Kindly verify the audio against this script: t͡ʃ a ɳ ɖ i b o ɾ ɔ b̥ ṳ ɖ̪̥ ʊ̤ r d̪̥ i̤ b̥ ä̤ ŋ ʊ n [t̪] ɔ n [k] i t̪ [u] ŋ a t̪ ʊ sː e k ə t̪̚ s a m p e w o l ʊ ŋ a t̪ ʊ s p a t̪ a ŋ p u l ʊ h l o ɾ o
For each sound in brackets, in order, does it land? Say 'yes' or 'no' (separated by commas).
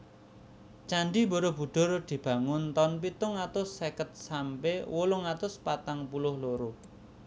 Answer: yes, no, no